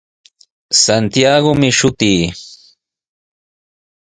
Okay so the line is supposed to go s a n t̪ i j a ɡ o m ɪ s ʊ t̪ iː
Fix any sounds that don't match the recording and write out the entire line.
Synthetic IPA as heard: s a n t̪ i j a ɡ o m ɪ ʃ ʊ t̪ iː